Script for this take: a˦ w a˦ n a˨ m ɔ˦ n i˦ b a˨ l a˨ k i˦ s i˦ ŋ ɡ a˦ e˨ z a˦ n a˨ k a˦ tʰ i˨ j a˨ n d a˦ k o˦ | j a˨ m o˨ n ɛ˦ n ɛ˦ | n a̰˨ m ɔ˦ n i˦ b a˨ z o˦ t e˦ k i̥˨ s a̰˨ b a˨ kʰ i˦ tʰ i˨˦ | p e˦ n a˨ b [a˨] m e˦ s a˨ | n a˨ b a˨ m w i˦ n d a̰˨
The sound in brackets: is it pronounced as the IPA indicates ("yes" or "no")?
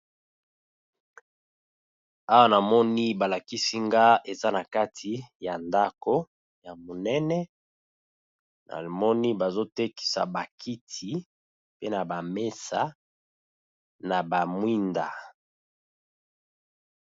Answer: yes